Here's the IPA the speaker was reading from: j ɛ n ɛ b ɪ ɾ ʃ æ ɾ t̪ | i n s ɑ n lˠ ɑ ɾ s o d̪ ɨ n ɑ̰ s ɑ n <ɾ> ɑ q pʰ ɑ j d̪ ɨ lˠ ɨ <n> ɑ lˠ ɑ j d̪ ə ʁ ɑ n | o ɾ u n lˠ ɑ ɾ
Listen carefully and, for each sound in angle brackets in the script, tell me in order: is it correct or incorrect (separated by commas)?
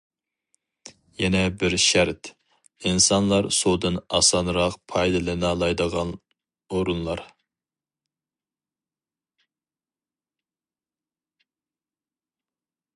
correct, correct